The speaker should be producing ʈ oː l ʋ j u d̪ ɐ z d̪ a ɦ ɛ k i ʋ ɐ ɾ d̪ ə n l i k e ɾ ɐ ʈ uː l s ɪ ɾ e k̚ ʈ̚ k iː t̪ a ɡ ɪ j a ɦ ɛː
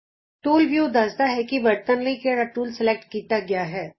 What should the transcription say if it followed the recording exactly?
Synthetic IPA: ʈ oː l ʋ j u d̪ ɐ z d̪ a ɦ ɛ k i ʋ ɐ ɾ t̪ ə n l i k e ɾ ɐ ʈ uː l s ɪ l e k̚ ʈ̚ k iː t̪ a ɡ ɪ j a ɦ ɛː